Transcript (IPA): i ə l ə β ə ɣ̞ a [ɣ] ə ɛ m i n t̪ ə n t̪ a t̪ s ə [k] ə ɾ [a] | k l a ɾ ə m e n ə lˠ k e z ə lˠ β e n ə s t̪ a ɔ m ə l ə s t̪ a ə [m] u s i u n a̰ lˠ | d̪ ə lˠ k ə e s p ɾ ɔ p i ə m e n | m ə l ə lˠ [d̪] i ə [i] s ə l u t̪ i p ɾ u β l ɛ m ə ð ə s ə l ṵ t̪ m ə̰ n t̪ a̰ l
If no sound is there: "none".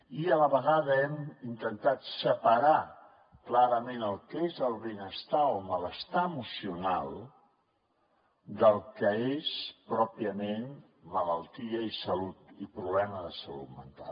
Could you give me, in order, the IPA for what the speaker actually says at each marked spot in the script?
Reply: ð, p, a, m, t̪, i

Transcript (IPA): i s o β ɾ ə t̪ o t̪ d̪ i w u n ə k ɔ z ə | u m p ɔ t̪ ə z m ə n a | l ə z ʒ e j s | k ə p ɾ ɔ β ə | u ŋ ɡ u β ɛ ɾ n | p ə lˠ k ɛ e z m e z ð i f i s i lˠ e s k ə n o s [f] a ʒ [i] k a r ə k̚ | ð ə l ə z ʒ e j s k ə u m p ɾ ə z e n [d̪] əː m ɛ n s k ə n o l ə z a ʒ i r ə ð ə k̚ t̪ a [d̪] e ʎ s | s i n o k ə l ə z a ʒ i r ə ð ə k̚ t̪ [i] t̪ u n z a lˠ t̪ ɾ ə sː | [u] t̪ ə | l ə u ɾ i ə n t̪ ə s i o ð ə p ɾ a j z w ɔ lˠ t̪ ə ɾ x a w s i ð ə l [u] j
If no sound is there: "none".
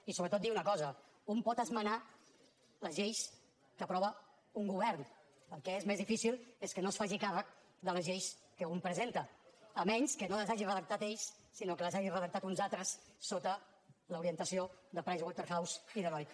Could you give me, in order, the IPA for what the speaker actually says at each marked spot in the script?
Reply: f, i, t̪, t̪, a, o, ɔ

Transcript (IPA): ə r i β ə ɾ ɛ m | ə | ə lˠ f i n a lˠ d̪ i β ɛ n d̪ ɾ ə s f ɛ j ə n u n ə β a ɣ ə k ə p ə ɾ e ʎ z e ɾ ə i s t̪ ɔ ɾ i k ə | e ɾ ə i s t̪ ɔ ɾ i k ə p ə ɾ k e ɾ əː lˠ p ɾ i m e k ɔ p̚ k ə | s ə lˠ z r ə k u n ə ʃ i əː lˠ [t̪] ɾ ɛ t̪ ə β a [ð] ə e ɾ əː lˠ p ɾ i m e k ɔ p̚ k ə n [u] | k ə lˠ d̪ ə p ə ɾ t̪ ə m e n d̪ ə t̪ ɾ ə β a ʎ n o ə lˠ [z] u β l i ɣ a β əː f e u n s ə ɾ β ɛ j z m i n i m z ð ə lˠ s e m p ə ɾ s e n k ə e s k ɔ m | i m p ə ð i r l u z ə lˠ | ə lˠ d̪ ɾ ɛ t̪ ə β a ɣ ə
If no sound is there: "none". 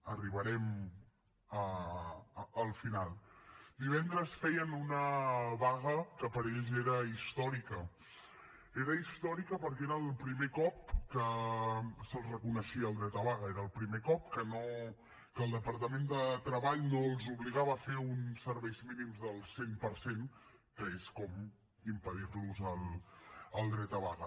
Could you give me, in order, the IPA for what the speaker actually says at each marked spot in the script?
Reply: d̪, ɣ, o, z

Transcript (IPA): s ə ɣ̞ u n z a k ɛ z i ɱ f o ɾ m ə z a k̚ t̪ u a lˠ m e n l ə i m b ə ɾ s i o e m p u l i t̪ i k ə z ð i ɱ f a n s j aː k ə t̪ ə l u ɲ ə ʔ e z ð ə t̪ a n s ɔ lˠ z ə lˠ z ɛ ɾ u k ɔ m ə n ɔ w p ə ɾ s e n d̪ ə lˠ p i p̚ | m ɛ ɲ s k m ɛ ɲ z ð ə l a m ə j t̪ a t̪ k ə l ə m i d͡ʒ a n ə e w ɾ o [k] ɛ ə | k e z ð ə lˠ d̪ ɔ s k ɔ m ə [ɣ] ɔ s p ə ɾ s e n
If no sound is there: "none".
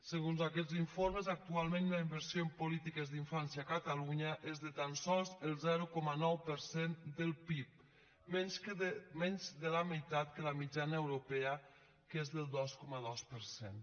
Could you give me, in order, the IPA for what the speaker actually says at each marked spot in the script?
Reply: p, ð

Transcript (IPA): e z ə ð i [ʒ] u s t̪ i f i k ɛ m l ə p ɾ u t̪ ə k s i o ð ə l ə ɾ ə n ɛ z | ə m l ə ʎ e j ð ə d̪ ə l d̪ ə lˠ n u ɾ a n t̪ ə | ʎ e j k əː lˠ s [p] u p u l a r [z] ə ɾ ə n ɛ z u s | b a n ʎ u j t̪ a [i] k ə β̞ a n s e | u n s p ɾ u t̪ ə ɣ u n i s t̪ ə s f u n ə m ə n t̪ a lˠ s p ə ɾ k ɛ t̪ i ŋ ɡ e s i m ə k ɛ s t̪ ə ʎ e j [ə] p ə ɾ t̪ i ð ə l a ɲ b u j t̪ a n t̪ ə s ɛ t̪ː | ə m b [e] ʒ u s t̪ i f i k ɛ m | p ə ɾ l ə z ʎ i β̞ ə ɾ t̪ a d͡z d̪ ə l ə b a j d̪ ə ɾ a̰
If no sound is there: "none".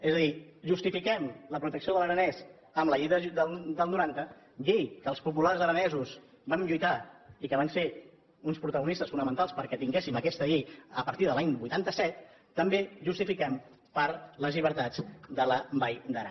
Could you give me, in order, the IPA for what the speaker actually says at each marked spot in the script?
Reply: ʒ, p, z, i, ə, e

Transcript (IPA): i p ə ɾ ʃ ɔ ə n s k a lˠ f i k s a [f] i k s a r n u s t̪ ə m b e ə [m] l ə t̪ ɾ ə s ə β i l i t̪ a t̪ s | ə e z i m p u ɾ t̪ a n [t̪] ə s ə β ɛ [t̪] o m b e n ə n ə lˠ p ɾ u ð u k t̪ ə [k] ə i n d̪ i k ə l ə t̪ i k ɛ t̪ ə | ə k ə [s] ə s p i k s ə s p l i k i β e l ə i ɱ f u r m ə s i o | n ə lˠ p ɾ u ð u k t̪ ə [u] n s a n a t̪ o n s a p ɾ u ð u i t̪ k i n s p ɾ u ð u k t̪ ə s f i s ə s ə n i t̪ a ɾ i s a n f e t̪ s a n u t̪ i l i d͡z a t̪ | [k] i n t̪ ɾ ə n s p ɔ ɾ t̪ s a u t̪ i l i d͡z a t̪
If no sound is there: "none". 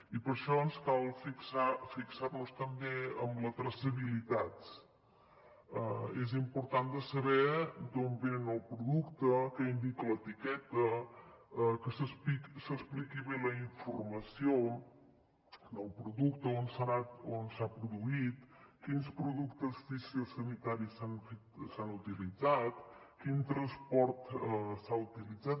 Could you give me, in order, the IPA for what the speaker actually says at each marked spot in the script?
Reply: f, m, d̪, d̪, k, s, o, k

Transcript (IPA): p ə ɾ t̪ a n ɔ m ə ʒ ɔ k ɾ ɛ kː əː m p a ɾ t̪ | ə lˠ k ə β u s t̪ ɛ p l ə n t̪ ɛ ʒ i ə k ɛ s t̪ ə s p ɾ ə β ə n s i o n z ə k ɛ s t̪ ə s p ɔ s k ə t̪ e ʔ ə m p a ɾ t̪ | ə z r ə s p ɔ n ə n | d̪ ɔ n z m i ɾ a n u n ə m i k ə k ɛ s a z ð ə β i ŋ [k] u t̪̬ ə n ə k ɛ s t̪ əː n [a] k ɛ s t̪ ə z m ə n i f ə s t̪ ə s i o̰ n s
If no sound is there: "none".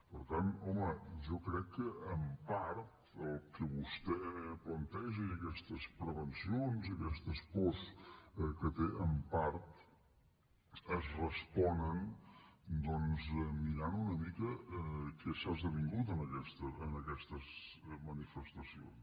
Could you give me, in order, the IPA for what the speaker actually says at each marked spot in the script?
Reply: ɡ, ə

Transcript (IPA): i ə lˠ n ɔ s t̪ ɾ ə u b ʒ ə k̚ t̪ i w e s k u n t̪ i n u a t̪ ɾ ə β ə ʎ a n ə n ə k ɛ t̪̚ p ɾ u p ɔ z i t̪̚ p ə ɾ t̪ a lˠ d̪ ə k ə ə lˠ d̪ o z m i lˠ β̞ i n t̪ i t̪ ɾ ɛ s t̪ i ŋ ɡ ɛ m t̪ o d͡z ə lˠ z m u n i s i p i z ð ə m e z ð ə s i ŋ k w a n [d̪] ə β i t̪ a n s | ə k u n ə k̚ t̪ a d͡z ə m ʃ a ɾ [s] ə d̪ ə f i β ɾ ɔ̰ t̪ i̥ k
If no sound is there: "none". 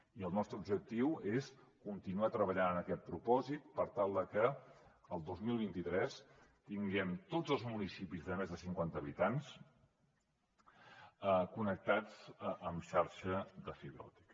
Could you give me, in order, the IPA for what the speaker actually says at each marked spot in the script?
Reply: t̪, ʃ

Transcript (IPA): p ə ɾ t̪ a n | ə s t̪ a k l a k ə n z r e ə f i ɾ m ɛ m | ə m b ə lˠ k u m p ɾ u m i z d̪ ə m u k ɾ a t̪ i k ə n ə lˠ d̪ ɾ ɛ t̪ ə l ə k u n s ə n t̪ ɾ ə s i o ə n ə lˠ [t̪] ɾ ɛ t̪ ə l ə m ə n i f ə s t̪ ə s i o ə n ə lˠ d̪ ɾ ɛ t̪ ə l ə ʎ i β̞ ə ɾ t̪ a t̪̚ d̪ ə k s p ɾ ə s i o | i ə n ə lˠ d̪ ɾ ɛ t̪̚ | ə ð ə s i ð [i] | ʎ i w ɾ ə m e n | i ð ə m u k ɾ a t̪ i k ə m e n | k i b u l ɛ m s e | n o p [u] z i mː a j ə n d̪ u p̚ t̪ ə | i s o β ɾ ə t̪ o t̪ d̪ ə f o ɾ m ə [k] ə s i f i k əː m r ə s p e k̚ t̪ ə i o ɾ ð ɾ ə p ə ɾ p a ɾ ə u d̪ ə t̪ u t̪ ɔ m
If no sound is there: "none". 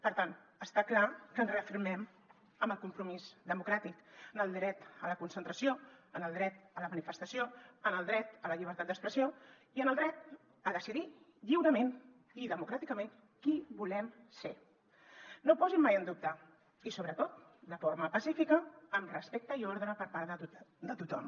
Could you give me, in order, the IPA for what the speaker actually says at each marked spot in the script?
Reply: d̪, i, ɔ, p

